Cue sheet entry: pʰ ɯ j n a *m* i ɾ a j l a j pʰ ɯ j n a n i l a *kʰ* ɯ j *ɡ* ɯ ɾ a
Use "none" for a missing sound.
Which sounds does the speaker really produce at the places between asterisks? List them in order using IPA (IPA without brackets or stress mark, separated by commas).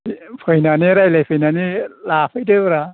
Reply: n, pʰ, d